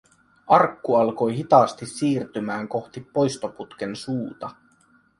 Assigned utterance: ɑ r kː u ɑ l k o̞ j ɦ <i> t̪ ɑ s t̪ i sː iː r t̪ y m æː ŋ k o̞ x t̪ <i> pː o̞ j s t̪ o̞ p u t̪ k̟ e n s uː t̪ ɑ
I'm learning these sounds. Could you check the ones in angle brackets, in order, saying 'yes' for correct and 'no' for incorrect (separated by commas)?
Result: yes, yes